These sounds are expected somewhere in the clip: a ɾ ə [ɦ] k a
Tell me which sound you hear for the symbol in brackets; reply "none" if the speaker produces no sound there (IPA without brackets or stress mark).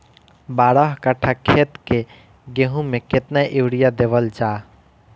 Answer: ɦ